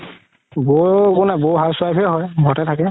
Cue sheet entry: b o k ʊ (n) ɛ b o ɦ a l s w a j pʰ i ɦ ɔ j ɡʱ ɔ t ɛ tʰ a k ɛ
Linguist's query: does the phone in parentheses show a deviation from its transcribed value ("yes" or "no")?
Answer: no